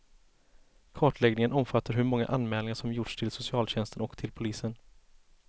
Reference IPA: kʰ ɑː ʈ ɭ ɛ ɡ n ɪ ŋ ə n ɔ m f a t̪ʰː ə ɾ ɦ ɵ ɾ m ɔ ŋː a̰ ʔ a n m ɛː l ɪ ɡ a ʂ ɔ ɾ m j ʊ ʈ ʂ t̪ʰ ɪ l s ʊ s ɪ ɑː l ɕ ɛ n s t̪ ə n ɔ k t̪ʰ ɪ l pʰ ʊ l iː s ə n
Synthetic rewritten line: kʰ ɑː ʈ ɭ ɛ ɡ n ɪ ŋ ə n ɔ m f a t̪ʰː a ɾ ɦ ɵ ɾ m ɔ ŋː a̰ ʔ a n m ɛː l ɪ ŋ a ʂ ɔ m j ʊ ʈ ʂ t̪ʰ ɪ l s ʊ s ɪ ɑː l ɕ ɛ n s t̪ ə n ɔ k t̪ʰ ɪ l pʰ ʊ l iː s ə n